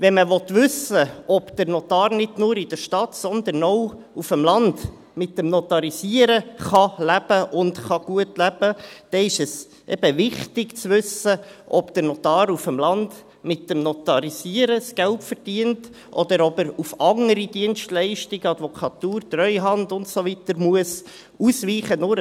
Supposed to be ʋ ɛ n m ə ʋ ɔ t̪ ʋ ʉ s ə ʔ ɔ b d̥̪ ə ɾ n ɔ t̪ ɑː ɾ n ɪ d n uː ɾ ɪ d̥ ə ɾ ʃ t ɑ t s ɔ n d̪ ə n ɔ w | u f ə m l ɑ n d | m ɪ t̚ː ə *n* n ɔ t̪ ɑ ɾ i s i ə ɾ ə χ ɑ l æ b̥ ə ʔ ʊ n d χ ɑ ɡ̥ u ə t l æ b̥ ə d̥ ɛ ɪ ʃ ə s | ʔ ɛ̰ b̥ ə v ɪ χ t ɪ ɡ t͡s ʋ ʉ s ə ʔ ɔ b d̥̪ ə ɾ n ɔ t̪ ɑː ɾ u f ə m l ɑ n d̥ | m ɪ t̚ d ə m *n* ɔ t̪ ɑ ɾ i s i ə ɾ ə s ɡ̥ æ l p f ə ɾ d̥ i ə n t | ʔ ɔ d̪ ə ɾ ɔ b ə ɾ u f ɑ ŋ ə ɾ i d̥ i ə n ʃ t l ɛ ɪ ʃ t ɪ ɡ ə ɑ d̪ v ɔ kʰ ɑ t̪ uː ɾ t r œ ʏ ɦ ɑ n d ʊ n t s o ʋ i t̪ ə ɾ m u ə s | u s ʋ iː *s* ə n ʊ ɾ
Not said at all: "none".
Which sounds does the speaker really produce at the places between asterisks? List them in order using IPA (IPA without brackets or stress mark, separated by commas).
m, n, χ